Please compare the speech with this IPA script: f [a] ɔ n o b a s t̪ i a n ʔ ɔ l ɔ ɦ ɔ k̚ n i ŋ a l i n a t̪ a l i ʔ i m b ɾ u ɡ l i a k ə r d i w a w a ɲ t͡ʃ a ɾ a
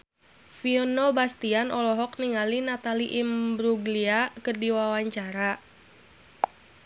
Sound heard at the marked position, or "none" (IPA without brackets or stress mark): i